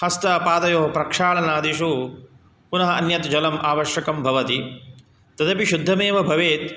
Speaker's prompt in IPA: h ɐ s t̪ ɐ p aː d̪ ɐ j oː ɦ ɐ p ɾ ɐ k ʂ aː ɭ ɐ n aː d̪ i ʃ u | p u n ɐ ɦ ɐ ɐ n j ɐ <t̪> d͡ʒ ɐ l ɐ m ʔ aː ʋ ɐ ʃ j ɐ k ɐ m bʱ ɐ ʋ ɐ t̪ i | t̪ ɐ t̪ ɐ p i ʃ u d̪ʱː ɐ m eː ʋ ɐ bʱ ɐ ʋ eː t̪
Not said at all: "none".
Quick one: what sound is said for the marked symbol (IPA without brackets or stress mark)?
t̪